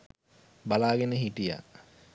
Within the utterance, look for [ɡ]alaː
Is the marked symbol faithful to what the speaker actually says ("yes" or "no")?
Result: no